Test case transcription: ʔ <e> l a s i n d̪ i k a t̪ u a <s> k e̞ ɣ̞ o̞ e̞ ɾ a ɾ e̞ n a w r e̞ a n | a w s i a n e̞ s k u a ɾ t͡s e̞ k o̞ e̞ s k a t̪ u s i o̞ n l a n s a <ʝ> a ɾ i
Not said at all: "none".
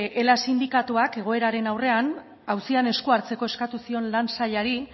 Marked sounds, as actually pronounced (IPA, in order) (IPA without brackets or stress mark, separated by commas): e, none, ʎ